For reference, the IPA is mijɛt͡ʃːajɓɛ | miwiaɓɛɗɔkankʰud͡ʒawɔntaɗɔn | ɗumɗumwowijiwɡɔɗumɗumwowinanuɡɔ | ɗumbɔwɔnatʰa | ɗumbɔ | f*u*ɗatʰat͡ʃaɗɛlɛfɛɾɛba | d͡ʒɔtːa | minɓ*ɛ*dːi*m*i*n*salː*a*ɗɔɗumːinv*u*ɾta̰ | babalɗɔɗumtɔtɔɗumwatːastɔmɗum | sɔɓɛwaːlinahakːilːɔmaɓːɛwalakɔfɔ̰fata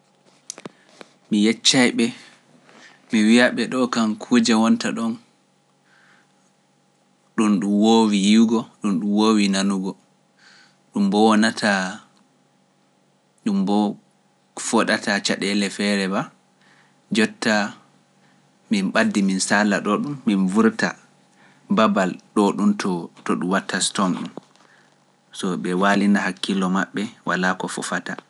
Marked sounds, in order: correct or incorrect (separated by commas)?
incorrect, incorrect, correct, correct, correct, correct